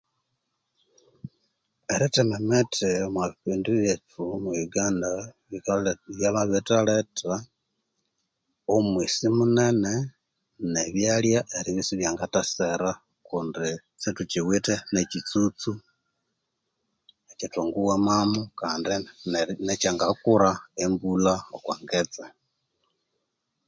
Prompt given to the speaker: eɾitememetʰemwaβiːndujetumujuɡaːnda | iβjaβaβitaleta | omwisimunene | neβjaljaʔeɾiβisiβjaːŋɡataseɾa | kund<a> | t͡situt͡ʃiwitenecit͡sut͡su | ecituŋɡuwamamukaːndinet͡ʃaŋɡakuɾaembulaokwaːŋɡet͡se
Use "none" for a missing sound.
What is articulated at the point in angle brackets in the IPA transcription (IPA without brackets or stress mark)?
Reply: i